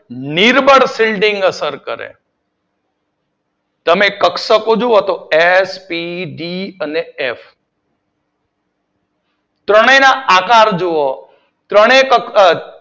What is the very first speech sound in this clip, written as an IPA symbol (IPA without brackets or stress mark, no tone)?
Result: n